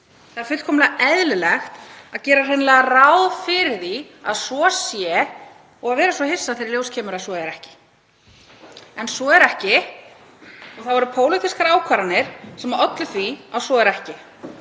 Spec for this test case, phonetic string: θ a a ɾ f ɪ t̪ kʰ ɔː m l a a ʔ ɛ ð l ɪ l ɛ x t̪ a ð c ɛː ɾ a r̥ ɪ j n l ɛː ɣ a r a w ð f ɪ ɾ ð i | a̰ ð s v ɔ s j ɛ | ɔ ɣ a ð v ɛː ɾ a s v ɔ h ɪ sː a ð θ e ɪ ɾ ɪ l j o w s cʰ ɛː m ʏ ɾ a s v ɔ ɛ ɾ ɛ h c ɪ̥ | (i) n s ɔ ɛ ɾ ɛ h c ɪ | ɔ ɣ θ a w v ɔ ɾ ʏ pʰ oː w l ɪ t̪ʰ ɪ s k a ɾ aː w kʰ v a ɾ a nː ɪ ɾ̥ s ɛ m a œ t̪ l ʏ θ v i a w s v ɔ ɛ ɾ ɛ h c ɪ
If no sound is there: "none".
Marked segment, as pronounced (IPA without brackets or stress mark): ɛ